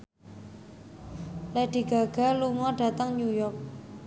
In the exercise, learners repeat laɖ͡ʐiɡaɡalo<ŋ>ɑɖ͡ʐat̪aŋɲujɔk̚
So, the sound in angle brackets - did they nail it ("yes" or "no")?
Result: yes